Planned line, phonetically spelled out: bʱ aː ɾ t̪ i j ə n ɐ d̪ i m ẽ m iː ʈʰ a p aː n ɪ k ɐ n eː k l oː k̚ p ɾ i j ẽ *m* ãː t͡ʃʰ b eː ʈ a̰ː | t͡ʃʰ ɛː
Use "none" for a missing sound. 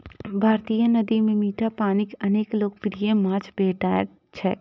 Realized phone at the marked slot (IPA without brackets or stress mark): m